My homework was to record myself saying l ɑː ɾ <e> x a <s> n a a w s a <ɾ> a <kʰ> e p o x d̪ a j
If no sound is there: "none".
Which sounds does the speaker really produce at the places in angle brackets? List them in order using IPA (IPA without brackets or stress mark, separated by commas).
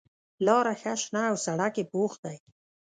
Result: a, ʃ, ɽ, k